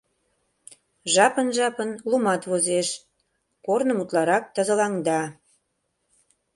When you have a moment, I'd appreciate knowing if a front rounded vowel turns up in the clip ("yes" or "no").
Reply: no